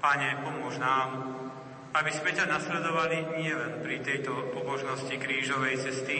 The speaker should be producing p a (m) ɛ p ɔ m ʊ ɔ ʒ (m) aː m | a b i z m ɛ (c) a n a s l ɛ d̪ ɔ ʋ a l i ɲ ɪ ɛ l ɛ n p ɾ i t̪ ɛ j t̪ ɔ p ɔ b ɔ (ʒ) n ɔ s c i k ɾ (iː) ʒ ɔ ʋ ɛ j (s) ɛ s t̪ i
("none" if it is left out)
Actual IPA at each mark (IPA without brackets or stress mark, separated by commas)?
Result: ɲ, n, c, ʒ, iː, t͡s